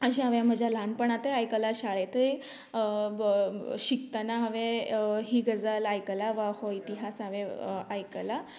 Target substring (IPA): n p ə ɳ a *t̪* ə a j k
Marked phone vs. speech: correct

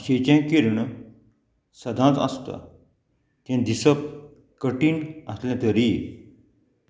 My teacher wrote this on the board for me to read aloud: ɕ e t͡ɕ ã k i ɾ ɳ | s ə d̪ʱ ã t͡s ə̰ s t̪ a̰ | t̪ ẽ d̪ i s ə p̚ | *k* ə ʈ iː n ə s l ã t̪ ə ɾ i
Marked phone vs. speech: correct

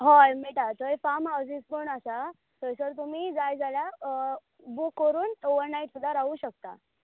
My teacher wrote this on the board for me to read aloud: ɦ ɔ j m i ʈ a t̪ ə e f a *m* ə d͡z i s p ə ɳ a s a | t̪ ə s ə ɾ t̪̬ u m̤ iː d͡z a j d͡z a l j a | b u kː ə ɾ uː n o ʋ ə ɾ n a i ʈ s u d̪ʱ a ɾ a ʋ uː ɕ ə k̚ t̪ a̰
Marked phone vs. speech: correct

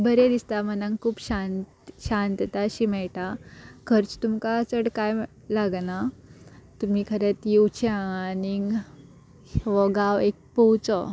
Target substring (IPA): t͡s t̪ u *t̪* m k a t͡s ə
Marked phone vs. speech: incorrect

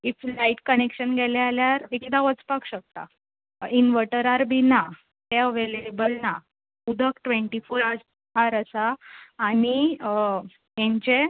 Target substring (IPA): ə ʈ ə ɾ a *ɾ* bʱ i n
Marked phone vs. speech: correct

